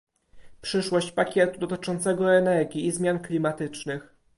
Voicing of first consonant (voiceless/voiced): voiceless